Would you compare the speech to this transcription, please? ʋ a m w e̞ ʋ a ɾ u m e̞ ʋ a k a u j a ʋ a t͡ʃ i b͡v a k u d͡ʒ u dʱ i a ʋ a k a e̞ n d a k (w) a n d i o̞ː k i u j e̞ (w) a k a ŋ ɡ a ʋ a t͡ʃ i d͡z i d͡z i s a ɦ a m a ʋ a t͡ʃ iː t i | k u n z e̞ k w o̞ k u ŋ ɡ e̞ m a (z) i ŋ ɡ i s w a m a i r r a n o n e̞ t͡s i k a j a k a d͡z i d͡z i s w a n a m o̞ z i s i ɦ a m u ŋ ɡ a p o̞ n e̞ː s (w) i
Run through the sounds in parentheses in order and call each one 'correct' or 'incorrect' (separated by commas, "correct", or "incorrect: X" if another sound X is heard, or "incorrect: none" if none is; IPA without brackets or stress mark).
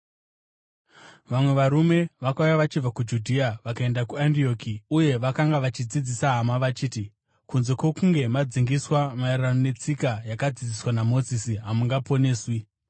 incorrect: u, incorrect: ʋ, incorrect: d͡z, correct